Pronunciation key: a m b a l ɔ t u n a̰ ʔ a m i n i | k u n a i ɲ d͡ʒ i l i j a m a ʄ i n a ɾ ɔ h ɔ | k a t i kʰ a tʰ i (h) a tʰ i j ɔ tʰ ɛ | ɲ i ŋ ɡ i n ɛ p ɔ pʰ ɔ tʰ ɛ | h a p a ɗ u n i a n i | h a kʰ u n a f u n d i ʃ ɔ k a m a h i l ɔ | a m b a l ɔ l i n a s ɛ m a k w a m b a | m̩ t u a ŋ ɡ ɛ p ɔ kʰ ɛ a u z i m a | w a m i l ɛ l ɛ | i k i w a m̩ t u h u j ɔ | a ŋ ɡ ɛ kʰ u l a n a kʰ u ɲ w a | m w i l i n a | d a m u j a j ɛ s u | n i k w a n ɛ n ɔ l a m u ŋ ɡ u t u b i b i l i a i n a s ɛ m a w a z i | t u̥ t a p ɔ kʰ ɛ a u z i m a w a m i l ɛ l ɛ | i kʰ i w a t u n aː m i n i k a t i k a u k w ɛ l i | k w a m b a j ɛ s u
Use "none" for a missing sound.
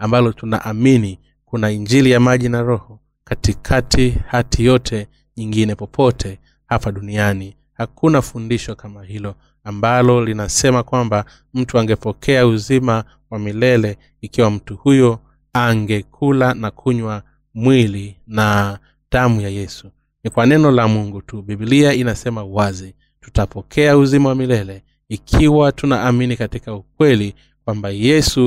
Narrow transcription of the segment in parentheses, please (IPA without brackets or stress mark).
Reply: h